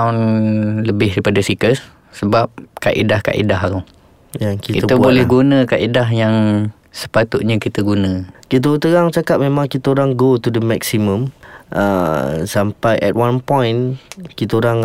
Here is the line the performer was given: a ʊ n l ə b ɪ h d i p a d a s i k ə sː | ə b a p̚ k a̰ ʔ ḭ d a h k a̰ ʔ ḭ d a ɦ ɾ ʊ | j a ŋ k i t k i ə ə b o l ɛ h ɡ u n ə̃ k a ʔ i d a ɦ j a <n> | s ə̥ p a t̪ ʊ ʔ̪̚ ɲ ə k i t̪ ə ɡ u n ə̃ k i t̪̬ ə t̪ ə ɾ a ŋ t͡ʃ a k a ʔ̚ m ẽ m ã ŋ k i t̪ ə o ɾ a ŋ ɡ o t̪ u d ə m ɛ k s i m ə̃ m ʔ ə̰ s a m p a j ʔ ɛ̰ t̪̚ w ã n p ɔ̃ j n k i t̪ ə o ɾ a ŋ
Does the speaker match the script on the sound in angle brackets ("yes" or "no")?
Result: no